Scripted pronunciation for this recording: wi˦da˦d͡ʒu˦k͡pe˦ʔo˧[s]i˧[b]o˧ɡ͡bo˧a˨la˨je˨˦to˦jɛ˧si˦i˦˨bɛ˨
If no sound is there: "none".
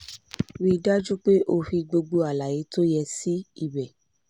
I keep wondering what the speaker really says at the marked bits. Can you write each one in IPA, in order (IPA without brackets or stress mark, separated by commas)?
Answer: f, ɡ͡b